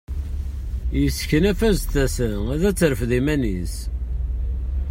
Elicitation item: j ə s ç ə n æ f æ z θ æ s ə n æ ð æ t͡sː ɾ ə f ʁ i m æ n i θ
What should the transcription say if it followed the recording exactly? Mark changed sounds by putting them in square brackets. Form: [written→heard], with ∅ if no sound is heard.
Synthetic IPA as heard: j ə s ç ə n æ f æ z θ æ s ə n æ ð æ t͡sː ɾ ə f [ʁ→ð] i m æ n i [θ→s]